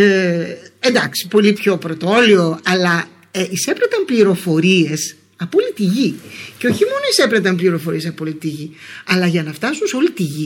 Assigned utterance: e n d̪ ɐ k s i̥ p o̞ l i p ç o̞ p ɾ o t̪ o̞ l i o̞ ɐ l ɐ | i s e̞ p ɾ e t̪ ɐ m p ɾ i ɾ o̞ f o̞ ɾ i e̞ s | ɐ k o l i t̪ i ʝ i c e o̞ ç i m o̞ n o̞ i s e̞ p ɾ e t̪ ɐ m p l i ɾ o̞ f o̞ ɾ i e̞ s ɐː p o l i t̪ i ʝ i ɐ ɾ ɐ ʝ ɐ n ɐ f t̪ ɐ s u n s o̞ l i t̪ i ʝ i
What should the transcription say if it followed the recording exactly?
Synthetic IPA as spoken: e n d̪ ɐ k s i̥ p o̞ l i p ç o̞ p ɾ o t̪ o̞ l i o̞ ɐ l ɐ | i s e̞ p ɾ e t̪ ɐ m p l i ɾ o̞ f o̞ ɾ i e̞ s | ɐ p o l i t̪ i ʝ i c e o̞ ç i m o̞ n o̞ i s e̞ p ɾ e t̪ ɐ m p l i ɾ o̞ f o̞ ɾ i e̞ s ɐ p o l i t̪ i ʝ i ɐ l ɐ ʝ ɐ n ɐ f t̪ ɐ s u n s o̞ l i t̪ i ʝ i